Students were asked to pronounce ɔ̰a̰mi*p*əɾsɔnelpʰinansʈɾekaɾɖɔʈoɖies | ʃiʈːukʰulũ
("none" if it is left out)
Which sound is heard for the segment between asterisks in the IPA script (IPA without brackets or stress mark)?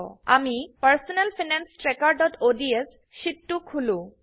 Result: p